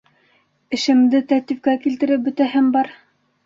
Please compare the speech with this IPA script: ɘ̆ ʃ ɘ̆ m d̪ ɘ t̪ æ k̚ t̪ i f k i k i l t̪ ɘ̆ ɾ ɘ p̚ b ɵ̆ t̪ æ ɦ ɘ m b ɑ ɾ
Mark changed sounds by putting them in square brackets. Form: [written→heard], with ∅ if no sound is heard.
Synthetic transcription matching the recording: ɘ̆ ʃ ɘ̆ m d̪ ɘ t̪ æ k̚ t̪ i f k [i→æ] k i l t̪ ɘ̆ ɾ ɘ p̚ b ɵ̆ t̪ æ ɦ ɘ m b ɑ ɾ